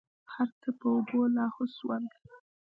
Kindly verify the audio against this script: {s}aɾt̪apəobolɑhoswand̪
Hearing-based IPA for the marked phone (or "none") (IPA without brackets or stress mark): h